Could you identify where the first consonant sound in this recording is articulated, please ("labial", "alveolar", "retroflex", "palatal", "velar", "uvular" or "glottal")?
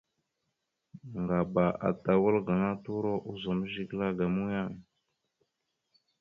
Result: velar